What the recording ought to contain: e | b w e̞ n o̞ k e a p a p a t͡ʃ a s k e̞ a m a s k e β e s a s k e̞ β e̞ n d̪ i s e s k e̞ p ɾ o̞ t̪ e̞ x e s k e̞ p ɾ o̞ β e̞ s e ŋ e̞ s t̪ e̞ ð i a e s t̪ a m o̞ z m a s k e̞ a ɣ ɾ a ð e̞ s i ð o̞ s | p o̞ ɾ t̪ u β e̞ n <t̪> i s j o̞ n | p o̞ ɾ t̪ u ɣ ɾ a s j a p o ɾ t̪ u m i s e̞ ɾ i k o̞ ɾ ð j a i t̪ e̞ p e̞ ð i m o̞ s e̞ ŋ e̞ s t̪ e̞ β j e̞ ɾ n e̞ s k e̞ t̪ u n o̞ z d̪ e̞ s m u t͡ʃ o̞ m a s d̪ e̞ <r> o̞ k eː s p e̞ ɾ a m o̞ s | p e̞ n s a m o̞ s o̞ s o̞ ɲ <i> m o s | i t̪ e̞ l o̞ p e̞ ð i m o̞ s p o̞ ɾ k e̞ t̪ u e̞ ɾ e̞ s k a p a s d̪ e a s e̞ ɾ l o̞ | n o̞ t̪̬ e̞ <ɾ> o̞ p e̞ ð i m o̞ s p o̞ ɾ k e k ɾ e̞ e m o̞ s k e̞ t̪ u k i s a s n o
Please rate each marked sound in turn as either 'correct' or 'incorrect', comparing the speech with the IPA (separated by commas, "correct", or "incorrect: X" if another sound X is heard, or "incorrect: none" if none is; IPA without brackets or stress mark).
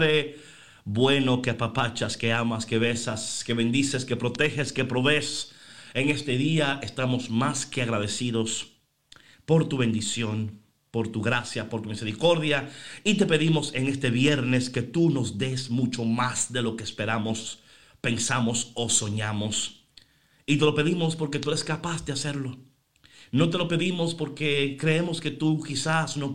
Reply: incorrect: d̪, incorrect: l, incorrect: a, incorrect: l